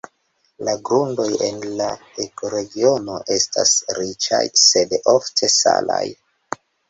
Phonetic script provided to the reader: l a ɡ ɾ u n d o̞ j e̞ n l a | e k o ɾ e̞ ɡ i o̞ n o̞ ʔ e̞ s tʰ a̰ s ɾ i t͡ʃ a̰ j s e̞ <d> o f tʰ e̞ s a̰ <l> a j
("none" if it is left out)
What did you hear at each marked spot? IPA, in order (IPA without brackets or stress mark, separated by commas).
d, l